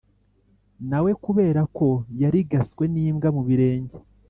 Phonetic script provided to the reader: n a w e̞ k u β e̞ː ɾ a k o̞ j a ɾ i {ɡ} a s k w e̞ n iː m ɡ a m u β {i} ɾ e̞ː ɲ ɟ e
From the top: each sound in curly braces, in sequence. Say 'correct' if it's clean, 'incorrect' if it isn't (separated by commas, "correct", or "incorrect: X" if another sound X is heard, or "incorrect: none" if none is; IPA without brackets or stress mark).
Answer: correct, correct